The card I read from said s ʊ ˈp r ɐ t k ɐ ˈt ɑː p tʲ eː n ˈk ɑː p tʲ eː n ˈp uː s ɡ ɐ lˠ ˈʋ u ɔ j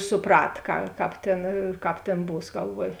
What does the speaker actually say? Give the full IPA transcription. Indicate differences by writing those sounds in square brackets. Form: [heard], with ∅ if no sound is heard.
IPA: s ʊ ˈp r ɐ t k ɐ [ˈk] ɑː p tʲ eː n ˈk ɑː p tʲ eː n [ˈb] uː s ɡ ɐ lˠ ˈʋ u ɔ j